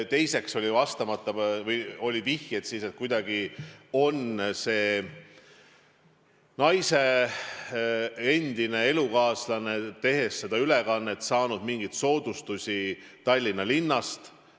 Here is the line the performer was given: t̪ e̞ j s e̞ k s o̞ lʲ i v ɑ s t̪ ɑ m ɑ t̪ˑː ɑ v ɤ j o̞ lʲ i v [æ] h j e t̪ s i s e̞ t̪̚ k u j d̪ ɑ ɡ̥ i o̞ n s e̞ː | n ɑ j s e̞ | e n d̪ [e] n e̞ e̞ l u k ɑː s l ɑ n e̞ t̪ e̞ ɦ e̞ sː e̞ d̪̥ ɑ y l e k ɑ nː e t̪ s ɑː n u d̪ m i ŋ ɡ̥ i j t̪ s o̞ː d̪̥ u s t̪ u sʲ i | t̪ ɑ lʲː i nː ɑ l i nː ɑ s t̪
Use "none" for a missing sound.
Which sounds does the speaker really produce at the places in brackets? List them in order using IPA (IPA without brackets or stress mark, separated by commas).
i, i